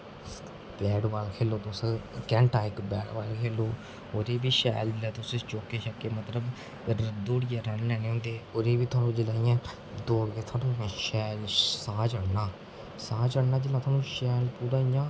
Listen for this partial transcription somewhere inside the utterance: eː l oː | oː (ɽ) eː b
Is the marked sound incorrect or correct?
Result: incorrect: ɾ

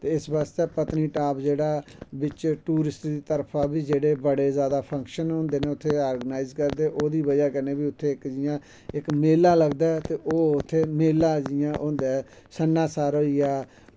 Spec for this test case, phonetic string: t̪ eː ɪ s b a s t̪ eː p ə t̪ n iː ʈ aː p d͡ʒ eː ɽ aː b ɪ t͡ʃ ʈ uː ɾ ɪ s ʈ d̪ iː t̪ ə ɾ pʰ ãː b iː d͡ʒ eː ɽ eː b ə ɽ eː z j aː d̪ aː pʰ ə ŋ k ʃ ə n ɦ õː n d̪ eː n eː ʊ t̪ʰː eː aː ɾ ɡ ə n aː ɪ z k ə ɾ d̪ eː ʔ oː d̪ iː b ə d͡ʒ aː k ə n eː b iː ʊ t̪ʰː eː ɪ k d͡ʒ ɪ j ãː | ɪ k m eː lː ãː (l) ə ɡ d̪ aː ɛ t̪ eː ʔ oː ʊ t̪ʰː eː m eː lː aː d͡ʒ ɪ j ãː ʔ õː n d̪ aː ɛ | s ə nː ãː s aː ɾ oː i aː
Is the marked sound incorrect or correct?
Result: correct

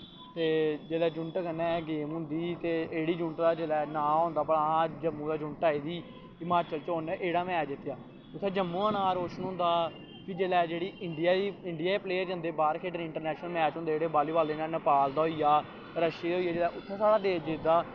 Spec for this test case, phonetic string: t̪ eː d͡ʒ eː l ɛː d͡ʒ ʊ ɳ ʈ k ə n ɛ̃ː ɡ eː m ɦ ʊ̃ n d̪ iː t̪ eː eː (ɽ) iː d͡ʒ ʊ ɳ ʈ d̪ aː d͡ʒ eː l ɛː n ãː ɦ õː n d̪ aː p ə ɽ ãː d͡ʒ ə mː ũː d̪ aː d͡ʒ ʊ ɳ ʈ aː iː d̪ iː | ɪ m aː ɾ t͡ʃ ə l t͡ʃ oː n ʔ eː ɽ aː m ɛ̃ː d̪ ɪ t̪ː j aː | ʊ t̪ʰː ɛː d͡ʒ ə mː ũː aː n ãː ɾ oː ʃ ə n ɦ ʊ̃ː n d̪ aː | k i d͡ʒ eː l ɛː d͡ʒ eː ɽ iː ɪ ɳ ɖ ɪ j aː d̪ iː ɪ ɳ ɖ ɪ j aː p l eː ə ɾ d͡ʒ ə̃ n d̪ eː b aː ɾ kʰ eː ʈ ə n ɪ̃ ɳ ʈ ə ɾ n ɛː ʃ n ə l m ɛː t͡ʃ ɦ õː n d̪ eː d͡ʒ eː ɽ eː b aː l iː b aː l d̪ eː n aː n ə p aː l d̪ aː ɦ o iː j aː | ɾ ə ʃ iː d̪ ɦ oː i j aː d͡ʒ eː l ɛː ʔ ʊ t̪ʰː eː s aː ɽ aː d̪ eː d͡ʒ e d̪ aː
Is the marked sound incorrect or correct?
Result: correct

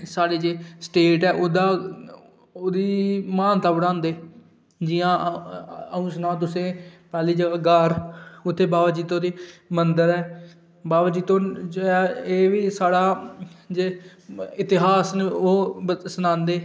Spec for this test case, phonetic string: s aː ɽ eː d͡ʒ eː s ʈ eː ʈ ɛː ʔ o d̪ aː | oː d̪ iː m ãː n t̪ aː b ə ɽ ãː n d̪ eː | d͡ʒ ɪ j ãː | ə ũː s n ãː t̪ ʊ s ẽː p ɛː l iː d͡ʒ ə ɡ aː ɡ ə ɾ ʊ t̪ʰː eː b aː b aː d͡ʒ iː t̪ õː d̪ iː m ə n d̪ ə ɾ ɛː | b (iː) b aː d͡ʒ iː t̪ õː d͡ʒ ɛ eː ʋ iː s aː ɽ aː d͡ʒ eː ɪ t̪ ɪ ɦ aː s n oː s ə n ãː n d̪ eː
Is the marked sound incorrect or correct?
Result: incorrect: aː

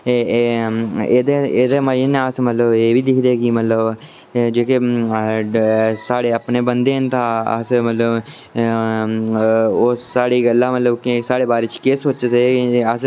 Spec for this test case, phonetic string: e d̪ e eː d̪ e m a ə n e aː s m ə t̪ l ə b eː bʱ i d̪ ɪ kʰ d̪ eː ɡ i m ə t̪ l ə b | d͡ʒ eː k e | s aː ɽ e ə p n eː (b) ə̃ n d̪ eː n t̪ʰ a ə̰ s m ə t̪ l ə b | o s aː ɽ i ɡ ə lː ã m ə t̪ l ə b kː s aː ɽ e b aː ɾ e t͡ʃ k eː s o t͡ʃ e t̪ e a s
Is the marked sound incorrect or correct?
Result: correct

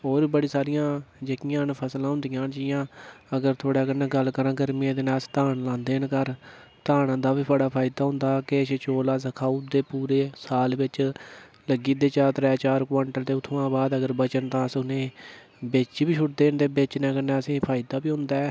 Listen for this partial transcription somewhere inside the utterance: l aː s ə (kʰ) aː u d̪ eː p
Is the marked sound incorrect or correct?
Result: correct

